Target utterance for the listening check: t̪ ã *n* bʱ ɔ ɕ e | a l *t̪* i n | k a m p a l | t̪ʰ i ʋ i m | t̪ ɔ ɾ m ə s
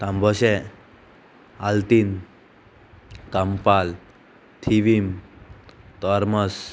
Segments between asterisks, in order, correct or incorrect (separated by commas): incorrect, correct